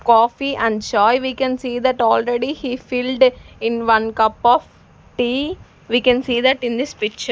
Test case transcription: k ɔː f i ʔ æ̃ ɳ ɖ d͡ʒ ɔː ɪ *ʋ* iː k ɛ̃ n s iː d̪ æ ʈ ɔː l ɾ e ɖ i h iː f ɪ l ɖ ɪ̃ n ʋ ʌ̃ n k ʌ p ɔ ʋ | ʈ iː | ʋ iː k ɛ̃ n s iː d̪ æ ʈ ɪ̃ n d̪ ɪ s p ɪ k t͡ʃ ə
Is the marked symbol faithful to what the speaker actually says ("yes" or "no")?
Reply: yes